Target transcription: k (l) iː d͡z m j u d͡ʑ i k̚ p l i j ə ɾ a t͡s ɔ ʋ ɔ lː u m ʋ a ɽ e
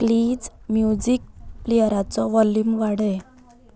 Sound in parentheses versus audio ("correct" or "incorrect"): correct